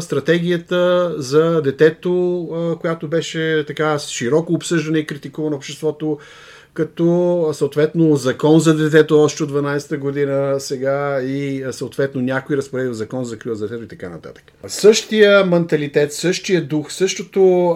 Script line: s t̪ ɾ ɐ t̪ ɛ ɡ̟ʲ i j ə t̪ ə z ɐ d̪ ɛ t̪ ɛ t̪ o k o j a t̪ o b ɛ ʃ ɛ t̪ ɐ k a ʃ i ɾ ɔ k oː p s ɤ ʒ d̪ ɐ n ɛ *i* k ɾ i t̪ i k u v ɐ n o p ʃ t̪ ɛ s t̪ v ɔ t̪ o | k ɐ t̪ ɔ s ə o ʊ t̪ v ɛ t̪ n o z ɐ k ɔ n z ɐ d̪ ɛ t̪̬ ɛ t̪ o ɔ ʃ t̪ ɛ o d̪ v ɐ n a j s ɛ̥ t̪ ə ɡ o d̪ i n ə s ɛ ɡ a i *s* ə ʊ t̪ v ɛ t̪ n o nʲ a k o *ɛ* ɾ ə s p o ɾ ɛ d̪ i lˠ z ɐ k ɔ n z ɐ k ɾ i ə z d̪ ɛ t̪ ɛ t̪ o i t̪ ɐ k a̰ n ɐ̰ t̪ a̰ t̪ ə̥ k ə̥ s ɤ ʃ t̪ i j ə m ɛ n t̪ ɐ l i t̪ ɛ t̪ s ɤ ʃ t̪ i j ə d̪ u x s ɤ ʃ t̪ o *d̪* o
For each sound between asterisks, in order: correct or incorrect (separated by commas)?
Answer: correct, correct, incorrect, incorrect